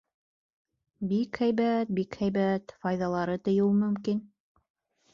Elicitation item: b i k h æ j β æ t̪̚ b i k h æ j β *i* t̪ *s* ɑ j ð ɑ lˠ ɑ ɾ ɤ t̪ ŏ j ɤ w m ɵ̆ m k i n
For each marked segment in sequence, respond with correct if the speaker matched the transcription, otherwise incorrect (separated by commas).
incorrect, incorrect